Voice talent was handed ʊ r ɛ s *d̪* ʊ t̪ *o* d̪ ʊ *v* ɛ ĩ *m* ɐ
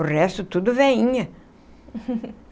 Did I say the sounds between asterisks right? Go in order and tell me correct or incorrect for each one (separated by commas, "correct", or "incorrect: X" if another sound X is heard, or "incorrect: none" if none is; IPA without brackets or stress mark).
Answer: incorrect: t̪, incorrect: u, correct, incorrect: ɲ